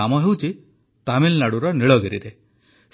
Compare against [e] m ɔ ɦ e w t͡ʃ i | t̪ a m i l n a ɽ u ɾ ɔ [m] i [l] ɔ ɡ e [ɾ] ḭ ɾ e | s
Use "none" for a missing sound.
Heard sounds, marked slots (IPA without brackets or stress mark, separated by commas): a, n, ɭ, ɾ